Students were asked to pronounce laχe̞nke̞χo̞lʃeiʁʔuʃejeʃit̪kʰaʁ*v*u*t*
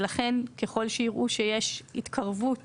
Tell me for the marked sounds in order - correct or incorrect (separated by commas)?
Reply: correct, correct